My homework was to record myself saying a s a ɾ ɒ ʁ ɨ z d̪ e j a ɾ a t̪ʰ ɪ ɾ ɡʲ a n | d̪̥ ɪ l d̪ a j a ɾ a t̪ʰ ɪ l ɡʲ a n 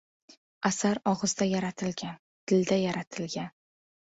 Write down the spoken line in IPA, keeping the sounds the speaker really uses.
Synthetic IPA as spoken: a s a ɾ ɒ ʁ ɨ z d̪ a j a ɾ a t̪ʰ ɪ l ɡʲ a n | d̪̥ ɪ l d̪ a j a ɾ a t̪ʰ ɪ l ɡʲ a n